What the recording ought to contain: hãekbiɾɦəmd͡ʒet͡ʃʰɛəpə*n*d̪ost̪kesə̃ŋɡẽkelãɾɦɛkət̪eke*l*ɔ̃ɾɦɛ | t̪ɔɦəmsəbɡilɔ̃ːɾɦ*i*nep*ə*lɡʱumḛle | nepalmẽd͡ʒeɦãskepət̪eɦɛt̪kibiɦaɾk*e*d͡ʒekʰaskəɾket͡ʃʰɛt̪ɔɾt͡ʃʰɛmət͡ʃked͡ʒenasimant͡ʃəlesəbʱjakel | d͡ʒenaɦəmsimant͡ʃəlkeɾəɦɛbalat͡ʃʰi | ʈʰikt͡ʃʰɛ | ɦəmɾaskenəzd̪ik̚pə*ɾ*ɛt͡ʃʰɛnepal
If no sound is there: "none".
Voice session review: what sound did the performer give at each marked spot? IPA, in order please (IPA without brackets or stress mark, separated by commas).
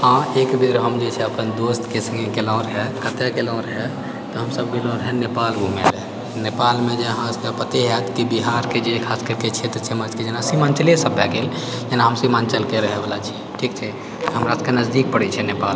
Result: n, l, ɛ, a, e, ɽ